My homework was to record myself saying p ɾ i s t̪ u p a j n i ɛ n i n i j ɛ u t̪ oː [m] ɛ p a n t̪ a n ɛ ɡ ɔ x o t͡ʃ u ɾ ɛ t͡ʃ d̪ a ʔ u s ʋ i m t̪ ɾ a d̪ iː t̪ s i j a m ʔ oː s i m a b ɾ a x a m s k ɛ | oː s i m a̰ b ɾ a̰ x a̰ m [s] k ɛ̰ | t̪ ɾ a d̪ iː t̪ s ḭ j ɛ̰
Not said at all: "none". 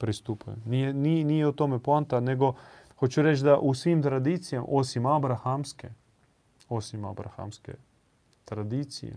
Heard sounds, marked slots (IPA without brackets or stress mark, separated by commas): m, s